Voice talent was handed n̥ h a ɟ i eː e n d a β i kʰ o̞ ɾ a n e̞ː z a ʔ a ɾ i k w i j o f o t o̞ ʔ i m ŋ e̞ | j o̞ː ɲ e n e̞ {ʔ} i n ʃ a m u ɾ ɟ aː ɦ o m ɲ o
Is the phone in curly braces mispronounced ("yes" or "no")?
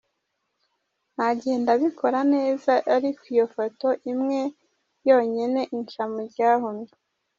no